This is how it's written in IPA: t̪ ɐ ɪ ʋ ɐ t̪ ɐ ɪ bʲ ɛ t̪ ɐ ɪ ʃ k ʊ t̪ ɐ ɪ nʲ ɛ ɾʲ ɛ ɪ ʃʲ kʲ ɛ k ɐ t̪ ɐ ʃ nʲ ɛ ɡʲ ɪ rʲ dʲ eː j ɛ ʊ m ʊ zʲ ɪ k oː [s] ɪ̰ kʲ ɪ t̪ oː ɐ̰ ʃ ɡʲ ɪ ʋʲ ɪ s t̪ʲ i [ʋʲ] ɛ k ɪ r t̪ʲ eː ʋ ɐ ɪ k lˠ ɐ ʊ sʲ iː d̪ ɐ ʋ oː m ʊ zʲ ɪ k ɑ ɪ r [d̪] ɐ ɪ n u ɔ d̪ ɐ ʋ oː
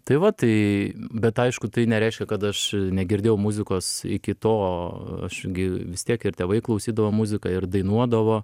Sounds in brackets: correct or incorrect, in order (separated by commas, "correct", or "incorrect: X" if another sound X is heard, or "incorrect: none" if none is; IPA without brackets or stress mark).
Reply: correct, incorrect: none, correct